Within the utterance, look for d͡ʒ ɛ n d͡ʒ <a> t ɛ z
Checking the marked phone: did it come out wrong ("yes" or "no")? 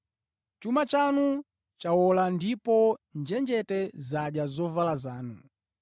yes